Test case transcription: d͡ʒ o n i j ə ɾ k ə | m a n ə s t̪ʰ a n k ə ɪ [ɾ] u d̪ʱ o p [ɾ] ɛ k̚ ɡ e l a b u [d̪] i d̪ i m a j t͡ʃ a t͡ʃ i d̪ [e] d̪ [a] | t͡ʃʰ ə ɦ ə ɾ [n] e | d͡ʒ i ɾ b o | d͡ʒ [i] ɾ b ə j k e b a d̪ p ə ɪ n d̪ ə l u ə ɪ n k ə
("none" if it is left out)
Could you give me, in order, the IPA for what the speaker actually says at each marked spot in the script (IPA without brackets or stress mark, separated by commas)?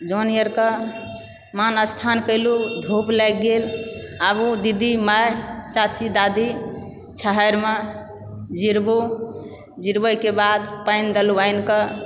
l, l, d̪, a, i, m, i